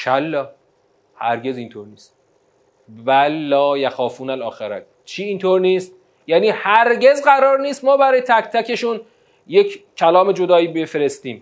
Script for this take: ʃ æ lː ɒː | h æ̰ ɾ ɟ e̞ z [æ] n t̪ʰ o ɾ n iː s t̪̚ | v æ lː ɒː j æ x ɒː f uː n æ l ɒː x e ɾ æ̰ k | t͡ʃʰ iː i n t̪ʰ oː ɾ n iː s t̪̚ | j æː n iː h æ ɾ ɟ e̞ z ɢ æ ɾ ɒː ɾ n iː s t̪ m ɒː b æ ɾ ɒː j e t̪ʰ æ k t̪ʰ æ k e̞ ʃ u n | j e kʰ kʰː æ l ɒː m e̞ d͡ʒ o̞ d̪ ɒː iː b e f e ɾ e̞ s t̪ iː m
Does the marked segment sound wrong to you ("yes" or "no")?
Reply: yes